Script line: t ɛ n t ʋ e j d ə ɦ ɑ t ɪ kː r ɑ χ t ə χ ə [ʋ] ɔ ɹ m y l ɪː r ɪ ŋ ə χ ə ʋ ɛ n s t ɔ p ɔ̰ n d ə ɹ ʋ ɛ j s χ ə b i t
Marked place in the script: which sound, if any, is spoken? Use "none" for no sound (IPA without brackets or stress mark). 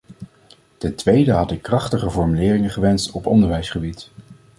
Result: v